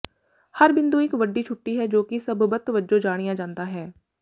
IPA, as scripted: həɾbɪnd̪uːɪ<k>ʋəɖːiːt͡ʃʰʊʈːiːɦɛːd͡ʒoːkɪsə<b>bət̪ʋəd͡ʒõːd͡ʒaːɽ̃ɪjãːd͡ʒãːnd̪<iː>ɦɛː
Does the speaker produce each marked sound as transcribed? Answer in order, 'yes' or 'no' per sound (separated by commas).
yes, yes, no